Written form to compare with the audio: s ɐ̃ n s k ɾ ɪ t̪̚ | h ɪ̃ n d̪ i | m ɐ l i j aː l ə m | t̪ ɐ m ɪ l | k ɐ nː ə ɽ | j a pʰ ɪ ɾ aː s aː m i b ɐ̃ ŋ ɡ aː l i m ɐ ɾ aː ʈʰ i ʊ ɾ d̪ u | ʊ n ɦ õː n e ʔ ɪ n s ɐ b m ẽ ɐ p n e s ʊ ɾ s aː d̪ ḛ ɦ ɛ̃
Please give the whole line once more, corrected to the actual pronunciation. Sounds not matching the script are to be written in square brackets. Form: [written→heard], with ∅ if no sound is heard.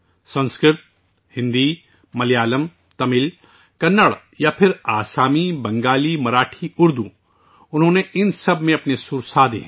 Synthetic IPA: s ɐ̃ n s k ɾ ɪ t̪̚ | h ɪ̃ n d̪ i | m ɐ l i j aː l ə m | t̪ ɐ m ɪ l | k ɐ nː ə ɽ | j a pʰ ɪ ɾ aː s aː m i b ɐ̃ ŋ ɡ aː l i m ɐ ɾ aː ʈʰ i ʊ ɾ d̪ u | ʊ n ɦ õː n e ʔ ɪ n s ɐ b m ẽ ɐ p n e s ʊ ɾ s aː d̪ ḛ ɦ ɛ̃